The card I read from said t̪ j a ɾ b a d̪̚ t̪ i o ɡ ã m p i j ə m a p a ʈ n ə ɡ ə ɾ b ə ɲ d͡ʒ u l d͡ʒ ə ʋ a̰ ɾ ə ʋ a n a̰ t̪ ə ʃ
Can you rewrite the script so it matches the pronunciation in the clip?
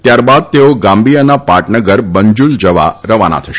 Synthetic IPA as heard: t̪ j a ɾ b a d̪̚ t̪ e o ɡ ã m b i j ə n a p a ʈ n ə ɡ ə ɾ b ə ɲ d͡ʒ u l d͡ʒ ə ʋ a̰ ɾ ə ʋ a n a̰ t̪ʰ ə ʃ